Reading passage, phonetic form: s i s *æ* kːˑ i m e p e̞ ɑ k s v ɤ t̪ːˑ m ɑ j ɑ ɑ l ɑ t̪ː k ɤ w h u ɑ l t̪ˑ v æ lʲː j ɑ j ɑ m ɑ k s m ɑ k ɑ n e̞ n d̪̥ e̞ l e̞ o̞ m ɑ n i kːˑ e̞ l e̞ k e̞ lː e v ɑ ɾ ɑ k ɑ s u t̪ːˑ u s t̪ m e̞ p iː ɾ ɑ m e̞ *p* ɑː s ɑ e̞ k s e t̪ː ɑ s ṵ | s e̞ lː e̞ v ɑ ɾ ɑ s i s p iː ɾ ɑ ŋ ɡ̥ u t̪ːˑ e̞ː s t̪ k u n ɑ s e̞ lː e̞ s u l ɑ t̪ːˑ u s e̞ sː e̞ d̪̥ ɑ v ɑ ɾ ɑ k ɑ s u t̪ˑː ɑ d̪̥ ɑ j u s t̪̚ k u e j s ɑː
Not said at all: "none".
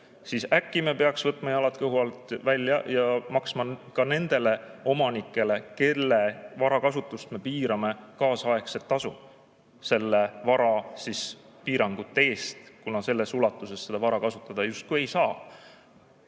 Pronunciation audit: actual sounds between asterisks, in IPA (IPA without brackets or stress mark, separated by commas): æ, k